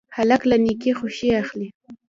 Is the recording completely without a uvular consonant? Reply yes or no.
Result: no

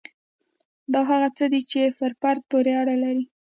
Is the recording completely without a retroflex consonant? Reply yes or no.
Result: no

